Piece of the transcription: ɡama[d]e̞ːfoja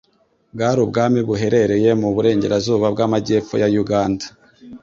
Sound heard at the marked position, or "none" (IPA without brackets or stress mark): ɟ